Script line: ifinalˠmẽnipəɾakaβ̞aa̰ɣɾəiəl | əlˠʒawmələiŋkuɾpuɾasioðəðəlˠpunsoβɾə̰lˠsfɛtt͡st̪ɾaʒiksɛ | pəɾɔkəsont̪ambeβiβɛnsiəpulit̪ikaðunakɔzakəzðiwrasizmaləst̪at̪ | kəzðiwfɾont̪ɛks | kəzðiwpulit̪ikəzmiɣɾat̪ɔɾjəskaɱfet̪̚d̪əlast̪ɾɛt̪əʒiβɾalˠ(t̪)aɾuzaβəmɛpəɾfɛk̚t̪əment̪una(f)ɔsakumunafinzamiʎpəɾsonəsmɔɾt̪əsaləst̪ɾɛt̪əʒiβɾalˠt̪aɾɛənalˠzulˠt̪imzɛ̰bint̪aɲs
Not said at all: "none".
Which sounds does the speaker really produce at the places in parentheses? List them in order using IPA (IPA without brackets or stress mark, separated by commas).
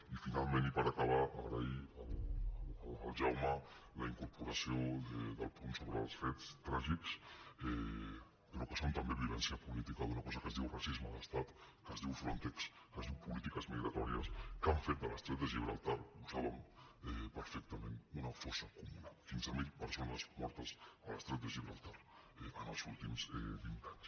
t̪, f